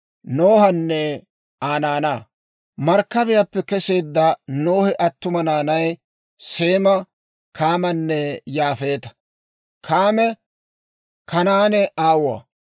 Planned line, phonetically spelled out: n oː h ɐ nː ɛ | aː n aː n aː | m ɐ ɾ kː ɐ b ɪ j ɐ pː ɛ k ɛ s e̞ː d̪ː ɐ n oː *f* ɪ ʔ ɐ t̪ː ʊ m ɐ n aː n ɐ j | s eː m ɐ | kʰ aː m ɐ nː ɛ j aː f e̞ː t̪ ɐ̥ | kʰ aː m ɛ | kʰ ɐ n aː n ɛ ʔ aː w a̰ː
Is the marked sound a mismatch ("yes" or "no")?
yes